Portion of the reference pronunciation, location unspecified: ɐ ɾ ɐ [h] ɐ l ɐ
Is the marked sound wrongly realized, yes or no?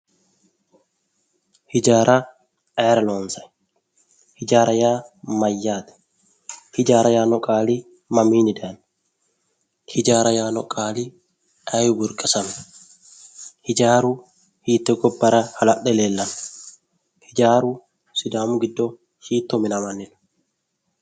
no